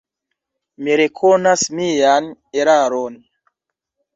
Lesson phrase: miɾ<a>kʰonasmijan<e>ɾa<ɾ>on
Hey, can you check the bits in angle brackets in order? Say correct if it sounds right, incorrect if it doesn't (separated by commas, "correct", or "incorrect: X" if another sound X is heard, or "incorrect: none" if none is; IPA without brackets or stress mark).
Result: incorrect: e, correct, correct